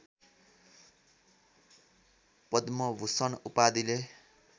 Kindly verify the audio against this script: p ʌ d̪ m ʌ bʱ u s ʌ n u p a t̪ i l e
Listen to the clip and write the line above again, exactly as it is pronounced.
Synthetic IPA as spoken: p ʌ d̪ m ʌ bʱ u s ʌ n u p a d̪ i l e